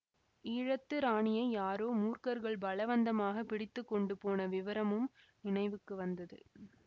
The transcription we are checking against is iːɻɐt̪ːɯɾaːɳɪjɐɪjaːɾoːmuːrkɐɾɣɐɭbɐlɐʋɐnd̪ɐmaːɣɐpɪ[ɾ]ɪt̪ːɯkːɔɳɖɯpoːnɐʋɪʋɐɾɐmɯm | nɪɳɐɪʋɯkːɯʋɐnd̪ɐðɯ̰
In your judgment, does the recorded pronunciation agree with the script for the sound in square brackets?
no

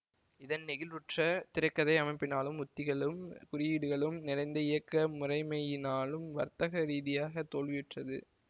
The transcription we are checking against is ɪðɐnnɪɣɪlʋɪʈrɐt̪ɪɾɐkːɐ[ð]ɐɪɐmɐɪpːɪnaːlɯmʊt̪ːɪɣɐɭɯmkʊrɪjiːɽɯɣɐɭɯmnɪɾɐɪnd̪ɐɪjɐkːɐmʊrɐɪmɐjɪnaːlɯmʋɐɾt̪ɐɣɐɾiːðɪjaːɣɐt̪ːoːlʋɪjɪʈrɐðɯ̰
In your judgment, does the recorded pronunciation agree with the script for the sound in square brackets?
yes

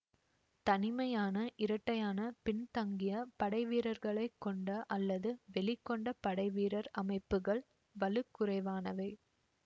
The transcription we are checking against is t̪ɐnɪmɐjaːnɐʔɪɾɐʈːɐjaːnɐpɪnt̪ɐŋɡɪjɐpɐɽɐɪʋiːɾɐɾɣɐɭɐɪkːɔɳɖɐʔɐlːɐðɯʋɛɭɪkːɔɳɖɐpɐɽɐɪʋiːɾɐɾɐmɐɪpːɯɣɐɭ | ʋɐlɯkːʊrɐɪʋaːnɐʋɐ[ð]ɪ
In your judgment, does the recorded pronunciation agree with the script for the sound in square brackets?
no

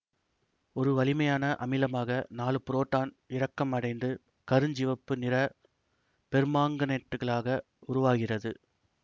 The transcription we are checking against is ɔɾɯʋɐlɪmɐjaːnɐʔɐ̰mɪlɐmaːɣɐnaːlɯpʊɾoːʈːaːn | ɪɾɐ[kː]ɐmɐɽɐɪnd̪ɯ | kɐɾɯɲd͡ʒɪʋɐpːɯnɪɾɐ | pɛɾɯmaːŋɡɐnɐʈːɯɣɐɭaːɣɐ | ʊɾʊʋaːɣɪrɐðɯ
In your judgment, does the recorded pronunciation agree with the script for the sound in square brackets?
yes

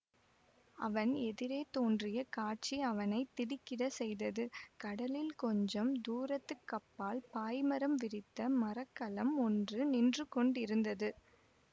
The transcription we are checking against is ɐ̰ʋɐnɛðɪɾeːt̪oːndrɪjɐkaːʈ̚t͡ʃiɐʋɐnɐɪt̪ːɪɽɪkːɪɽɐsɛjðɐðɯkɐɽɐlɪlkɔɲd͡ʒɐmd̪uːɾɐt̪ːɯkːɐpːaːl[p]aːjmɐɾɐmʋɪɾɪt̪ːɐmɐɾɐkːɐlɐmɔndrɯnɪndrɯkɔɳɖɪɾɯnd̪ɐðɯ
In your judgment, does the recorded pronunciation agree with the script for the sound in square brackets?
yes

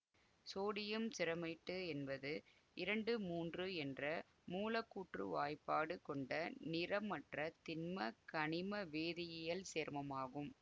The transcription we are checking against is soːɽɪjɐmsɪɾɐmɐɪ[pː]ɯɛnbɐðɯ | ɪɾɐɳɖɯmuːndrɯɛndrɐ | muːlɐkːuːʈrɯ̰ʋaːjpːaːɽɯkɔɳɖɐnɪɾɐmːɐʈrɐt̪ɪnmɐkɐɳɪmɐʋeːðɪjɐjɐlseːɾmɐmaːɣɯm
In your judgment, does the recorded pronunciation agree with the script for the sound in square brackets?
no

